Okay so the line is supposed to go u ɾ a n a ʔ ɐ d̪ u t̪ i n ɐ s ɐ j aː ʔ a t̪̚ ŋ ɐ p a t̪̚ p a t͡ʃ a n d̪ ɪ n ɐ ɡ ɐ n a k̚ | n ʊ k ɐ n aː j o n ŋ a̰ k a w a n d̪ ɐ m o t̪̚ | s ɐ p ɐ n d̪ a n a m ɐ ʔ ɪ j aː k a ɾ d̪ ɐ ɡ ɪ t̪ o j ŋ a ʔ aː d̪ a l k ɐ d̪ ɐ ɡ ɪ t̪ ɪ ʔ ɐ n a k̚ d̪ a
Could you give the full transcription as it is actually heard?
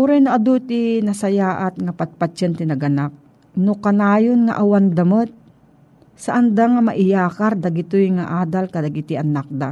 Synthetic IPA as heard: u ɾ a n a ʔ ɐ d̪ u t̪ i n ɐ s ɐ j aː ʔ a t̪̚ ŋ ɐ p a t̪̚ p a t͡ʃ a n t̪ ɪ n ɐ ɡ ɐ n a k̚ | n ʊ k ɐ n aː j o n ŋ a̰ ʔ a w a n d̪ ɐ m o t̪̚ | s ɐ ʔ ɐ n d̪ a ŋ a m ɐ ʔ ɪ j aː k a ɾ d̪ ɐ ɡ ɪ t̪ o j ŋ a ʔ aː d̪ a l k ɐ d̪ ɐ ɡ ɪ t̪ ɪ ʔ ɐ n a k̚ d̪ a